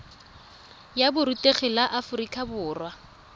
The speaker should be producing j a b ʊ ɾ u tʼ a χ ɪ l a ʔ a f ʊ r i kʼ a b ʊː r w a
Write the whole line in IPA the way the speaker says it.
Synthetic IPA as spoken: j a b ʊ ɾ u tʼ e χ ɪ l a ʔ a f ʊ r i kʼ a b ʊː r w a